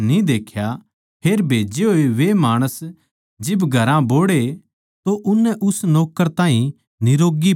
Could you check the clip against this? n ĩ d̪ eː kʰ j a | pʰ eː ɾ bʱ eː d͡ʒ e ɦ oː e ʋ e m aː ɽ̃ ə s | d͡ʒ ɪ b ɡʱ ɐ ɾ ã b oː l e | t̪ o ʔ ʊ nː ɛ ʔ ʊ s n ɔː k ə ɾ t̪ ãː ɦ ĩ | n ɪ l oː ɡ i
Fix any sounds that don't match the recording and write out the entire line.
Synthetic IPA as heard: n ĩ d̪ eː kʰ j a | pʰ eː ɾ bʱ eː d͡ʒ e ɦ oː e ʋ e m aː ɽ̃ ə s | d͡ʒ ɪ b ɡʱ ɐ ɾ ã b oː ɽ e | t̪ o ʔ ʊ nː ɛ ʔ ʊ s n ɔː k ə ɾ t̪ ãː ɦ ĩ | n ɪ ɾ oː ɡ i